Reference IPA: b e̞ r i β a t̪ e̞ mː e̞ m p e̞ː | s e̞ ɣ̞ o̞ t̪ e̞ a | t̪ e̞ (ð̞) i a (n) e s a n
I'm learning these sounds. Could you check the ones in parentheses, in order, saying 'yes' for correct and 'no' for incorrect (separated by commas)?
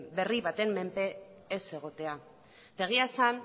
no, no